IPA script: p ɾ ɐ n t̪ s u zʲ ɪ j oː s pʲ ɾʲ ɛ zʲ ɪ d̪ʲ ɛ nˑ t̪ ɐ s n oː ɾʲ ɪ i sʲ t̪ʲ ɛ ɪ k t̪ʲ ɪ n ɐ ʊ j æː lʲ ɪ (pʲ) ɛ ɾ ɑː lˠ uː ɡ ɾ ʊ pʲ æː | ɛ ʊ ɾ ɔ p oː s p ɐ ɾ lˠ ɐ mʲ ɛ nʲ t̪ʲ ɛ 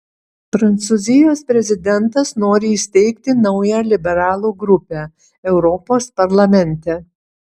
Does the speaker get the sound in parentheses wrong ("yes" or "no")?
yes